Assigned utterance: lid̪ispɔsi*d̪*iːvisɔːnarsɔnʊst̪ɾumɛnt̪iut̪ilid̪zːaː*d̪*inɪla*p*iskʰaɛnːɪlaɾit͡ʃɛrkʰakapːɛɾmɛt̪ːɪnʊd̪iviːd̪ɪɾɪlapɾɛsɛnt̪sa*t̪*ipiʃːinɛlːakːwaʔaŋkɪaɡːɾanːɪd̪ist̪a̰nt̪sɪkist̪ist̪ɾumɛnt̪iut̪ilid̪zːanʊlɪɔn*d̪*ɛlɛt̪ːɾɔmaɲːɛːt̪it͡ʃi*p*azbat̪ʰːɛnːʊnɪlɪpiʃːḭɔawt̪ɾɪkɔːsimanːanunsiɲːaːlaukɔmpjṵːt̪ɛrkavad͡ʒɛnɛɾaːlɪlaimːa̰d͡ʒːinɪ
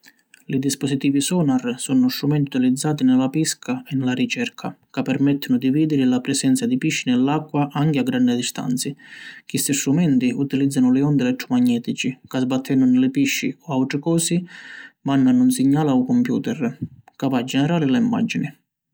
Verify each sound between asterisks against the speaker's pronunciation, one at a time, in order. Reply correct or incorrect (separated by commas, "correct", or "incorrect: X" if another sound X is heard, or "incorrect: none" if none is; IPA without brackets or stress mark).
incorrect: t̪, incorrect: t̪, correct, incorrect: d̪, correct, incorrect: k